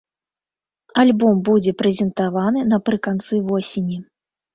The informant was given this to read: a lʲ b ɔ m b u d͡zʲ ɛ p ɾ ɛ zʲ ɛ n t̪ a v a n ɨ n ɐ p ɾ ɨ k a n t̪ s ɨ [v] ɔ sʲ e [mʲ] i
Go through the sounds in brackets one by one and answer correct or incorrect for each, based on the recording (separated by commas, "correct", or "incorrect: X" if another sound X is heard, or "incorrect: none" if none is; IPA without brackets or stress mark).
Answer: correct, incorrect: nʲ